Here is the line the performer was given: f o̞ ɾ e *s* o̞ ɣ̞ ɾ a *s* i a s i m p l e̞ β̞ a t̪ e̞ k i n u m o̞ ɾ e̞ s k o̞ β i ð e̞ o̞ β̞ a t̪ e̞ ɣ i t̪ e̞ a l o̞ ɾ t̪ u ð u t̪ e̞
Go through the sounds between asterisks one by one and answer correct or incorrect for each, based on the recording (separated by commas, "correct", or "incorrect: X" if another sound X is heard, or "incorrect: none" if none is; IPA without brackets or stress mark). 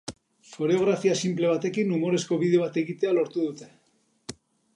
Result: incorrect: none, incorrect: f